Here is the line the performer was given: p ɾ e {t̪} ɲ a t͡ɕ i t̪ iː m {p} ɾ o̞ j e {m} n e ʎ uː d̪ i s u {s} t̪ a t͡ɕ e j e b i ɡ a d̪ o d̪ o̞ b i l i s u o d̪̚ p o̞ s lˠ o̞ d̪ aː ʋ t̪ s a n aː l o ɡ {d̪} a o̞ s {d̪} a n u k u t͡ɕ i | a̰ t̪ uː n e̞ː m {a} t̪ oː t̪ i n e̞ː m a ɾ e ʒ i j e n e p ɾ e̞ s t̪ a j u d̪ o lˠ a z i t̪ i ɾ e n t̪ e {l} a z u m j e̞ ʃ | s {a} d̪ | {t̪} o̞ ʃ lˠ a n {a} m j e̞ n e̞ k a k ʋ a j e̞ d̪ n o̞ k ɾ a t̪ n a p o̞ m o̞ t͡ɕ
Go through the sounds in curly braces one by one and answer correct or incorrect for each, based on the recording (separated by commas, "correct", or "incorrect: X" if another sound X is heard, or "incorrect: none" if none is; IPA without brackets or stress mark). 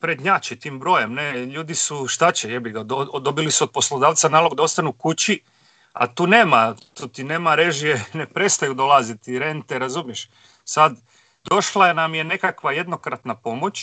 incorrect: d̪, incorrect: b, correct, incorrect: ʃ, correct, incorrect: t̪, correct, incorrect: ɾ, correct, incorrect: d̪, correct